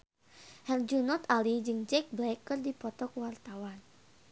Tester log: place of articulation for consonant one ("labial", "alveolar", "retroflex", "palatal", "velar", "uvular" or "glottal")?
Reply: glottal